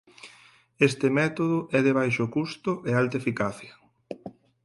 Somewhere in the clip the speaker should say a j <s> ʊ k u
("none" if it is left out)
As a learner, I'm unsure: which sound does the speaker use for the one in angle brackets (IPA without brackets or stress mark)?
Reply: ʃ